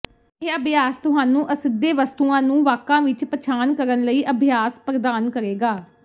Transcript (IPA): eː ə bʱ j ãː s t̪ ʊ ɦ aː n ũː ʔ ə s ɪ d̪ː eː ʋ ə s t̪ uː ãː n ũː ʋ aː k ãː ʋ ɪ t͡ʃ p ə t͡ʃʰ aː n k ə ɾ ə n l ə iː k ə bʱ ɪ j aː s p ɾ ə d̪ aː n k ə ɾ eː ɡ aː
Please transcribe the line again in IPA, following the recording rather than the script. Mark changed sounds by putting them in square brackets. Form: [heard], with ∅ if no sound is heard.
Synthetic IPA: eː ə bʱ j [aː] s t̪ ʊ ɦ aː n ũː ʔ ə s ɪ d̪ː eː ʋ ə s t̪ uː ãː n ũː ʋ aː k ãː ʋ ɪ t͡ʃ p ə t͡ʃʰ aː n k ə ɾ ə n l ə iː [ʔ] ə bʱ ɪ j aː s p ɾ ə d̪ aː n k ə ɾ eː ɡ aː